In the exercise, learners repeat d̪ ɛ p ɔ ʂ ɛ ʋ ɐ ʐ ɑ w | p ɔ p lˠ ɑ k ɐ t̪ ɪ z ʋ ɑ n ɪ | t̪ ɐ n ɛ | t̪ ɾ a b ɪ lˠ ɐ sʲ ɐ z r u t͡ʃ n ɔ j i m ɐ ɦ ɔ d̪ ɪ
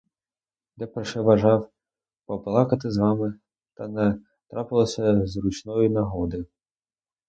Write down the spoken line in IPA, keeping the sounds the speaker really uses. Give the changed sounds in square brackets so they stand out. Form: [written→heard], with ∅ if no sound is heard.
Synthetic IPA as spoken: d̪ ɛ p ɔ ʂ ɛ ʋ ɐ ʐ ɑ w | p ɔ p lˠ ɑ k ɐ t̪ ɪ z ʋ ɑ [n→m] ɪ | t̪ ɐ n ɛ | t̪ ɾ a [b→p] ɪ lˠ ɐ sʲ ɐ z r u t͡ʃ n ɔ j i [m→n] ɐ ɦ ɔ d̪ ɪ